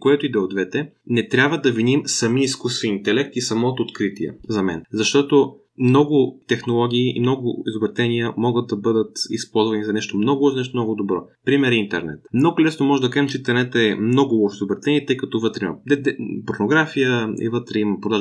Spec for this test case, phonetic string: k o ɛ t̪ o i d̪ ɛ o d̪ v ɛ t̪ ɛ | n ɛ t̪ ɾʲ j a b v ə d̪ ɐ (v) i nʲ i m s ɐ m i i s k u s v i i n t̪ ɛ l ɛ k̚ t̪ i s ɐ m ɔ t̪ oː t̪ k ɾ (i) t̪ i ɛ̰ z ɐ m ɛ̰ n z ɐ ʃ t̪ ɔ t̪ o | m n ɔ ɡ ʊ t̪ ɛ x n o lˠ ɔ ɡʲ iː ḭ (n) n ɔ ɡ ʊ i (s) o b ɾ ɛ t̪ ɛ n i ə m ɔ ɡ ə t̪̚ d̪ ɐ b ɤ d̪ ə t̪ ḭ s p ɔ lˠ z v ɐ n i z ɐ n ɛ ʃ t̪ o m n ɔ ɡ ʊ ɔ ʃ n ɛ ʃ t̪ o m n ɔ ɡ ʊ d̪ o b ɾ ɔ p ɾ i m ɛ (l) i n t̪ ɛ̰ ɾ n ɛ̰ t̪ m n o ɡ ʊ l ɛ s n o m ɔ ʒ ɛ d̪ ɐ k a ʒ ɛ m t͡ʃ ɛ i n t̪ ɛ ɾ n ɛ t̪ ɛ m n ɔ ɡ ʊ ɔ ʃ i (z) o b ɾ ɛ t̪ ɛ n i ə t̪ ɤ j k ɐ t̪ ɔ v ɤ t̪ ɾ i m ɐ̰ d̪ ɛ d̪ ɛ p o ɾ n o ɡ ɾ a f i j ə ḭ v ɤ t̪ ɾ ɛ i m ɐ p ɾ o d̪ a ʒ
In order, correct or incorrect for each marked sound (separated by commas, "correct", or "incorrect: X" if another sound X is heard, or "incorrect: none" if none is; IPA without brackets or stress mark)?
correct, correct, incorrect: m, incorrect: z, incorrect: ɾ, correct